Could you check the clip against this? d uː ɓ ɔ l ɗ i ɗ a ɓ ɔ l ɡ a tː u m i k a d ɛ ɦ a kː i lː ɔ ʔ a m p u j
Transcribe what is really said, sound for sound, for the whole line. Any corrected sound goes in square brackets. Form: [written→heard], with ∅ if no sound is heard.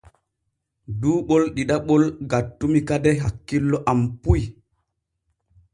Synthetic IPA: d uː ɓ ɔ l ɗ i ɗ a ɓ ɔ l ɡ a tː u m i k a d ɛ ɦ a kː i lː ɔ ʔ a m p u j